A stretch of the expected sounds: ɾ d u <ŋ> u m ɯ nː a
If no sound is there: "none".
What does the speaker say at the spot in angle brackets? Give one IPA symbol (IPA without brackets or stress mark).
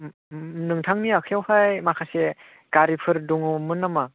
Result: ŋ